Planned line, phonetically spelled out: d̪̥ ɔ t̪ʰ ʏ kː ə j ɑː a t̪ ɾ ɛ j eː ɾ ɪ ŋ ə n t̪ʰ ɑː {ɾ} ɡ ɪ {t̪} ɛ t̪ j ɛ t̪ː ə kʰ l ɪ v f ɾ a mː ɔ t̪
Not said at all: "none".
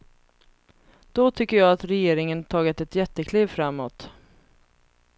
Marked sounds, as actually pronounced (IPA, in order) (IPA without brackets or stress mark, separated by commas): none, t̪